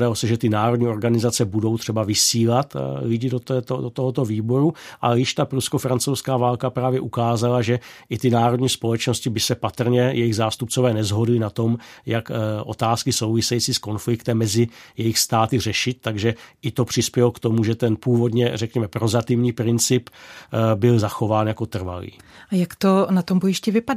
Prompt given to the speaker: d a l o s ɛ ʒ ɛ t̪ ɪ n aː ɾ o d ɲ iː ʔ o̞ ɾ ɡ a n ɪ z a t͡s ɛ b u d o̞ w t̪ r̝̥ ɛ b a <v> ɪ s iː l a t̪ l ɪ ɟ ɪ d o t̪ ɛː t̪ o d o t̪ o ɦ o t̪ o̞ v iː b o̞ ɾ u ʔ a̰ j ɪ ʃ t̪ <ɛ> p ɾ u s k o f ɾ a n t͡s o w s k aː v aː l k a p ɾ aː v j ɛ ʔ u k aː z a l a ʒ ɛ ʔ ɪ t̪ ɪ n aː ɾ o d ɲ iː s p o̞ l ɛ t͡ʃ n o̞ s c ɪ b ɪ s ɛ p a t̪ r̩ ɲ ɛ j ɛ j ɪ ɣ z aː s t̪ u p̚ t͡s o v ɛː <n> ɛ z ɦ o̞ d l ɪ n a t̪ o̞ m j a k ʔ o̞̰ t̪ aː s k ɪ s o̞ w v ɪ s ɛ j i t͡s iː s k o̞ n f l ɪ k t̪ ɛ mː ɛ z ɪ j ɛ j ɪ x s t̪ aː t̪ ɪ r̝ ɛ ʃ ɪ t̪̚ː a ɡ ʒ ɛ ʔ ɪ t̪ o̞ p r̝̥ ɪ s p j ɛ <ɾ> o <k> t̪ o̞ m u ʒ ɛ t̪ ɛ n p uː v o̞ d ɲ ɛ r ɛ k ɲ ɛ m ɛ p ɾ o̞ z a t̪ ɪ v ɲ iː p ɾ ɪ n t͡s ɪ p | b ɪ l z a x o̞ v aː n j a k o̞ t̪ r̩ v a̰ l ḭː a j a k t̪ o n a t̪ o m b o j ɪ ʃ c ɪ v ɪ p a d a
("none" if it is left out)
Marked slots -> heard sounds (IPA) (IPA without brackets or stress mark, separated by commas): v, a, n, l, k